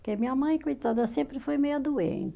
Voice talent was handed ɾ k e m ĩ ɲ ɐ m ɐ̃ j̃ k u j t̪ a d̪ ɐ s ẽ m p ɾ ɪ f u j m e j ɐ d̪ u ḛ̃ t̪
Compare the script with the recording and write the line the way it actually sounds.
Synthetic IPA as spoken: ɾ k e m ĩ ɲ ɐ m ɐ̃ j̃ k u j t̪ a d̪ ɐ s ẽ m p ɾ ɪ f o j m e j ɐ d̪ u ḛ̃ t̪